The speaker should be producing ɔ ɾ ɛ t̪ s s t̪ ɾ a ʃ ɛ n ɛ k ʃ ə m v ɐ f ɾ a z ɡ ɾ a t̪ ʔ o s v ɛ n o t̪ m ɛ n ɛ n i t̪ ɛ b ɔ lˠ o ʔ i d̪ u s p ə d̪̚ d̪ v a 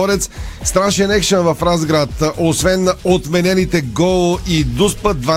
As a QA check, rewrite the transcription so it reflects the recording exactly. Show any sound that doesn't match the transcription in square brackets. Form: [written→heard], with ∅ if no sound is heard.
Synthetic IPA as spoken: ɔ ɾ ɛ t̪ s s t̪ ɾ a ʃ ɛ n ɛ k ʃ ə [m→n] v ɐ f ɾ a z ɡ ɾ a t̪ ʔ o s v ɛ n o t̪ m ɛ n ɛ n i t̪ ɛ [b→ɡ] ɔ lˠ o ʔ i d̪ u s p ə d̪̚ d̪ v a